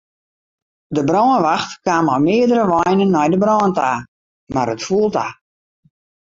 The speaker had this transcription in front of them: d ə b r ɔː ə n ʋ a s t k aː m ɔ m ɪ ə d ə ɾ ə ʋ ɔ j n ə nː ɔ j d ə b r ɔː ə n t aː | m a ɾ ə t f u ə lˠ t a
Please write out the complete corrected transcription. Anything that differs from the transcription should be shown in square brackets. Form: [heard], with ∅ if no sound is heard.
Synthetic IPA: d ə b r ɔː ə n ʋ a [x] t k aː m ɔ m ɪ ə d ə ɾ ə ʋ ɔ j n ə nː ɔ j d ə b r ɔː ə n t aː | m a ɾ ə t f u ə lˠ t a

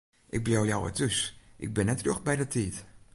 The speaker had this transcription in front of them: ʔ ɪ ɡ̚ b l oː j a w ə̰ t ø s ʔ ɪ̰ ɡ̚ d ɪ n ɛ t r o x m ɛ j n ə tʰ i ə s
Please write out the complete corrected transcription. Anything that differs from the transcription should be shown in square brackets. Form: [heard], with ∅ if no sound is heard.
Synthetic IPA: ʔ ɪ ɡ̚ b l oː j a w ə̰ t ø s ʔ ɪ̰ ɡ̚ [b] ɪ n ɛ t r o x [b] ɛ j [d] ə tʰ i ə [t]

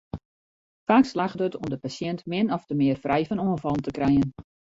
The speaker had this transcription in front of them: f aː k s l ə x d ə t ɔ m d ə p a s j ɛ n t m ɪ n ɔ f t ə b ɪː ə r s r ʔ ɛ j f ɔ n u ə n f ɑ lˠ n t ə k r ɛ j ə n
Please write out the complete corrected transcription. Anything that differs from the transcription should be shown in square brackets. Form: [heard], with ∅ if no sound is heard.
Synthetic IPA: f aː k s l [a] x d ə t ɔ m d ə p a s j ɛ n t m ɪ n ɔ f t ə [m] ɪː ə r [f] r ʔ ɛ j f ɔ n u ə n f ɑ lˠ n t ə k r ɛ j ə n

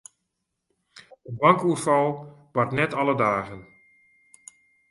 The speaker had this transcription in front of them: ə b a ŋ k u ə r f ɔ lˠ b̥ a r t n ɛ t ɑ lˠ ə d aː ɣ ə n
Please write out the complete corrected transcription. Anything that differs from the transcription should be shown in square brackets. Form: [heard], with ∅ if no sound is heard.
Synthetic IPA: ə b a ŋ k u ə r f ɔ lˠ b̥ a r t n ɛ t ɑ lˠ ə d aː ɣ ə n

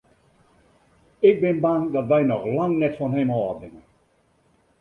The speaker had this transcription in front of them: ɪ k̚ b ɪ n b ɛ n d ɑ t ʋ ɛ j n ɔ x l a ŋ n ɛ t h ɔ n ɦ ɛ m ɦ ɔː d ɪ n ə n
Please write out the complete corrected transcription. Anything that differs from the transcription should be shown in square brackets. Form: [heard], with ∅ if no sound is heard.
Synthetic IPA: ɪ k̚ b ɪ n b [a] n d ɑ t ʋ ɛ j n ɔ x l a ŋ n ɛ t [f] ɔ n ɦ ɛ m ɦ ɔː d ɪ [ŋ] ə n

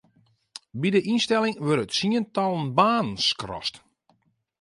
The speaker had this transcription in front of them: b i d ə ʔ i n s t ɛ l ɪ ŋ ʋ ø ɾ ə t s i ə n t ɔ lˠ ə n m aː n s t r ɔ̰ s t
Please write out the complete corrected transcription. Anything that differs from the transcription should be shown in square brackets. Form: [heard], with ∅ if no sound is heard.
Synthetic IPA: b i d ə ʔ i n s t ɛ l ɪ ŋ ʋ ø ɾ ə t s i ə n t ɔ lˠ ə n [b] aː n s [k] r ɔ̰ s t

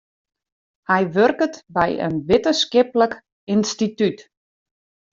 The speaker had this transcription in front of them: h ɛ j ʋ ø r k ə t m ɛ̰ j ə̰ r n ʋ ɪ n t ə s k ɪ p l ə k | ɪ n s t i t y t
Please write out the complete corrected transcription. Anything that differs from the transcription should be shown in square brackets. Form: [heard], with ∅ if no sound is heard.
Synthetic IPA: h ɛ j ʋ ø r k ə t [b] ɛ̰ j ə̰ [∅] n ʋ ɪ [∅] t ə s k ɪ p l ə k | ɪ n s t i t y t

